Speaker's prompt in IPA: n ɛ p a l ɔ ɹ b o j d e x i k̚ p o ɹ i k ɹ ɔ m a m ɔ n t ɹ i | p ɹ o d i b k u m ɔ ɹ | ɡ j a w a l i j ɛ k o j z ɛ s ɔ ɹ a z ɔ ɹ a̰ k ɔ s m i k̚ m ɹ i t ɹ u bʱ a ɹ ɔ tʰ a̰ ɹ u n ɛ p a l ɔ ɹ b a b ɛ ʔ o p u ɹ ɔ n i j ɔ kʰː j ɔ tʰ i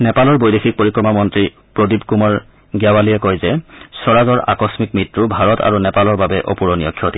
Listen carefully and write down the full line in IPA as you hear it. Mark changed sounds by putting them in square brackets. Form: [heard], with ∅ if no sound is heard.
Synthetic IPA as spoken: n ɛ p a l ɔ ɹ b o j d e x i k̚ p o ɹ i k ɹ ɔ m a m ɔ n t ɹ i | p ɹ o d i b k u m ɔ ɹ | ɡ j a w a l i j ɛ k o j z ɛ s ɔ ɹ a z ɔ ɹ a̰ k ɔ s m i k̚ m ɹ i t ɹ u bʱ a ɹ ɔ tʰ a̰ ɹ u n ɛ p a l ɔ ɹ b a b ɛ ʔ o p u ɹ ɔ n i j ɔ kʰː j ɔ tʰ i